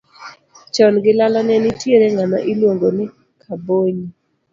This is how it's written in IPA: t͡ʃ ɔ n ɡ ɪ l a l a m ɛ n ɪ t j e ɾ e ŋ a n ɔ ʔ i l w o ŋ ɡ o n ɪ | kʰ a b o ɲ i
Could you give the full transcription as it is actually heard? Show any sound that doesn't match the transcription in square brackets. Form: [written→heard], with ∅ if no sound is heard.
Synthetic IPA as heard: t͡ʃ ɔ n ɡ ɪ l a l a [m→n] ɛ n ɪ t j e ɾ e ŋ a n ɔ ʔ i l w o ŋ ɡ o n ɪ | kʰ a b o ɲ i